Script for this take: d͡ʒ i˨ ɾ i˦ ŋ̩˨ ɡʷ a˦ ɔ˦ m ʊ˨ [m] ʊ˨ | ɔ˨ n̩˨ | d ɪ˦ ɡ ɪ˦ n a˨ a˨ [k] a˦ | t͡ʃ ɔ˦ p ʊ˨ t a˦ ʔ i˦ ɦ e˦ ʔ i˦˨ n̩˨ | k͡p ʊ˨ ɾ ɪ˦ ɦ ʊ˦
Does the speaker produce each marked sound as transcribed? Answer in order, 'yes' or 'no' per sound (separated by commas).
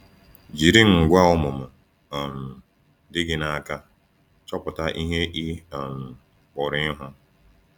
yes, yes